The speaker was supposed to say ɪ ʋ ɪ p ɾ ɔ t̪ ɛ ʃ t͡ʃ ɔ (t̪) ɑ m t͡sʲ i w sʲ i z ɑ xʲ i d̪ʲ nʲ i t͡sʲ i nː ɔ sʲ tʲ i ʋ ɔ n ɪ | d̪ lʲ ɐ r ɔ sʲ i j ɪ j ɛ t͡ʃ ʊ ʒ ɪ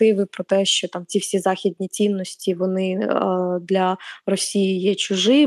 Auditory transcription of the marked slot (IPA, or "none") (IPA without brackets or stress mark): t̪